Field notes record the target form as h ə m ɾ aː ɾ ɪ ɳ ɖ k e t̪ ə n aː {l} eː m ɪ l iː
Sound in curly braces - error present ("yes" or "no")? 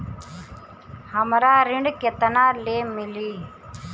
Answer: no